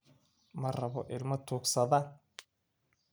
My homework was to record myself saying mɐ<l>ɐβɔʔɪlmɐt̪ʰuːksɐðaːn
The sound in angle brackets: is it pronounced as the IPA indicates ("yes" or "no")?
no